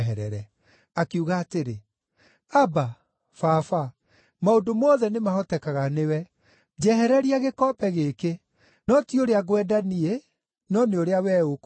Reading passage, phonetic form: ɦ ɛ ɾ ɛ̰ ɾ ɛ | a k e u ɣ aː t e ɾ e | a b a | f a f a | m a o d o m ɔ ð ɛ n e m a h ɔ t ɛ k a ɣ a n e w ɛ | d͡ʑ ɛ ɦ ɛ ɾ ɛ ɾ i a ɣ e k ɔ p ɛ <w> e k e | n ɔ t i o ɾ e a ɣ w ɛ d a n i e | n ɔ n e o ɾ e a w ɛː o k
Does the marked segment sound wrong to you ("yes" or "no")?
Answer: yes